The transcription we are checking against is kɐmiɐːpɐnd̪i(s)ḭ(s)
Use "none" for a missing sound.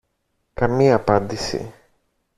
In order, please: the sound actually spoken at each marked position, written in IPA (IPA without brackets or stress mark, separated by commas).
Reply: s, none